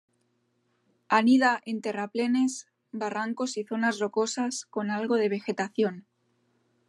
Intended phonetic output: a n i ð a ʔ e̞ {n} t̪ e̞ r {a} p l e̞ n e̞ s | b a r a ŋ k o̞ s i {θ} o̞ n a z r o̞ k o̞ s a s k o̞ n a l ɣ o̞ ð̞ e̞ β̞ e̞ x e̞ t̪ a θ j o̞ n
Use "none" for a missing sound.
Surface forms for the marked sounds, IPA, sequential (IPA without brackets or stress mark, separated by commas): n, a, θ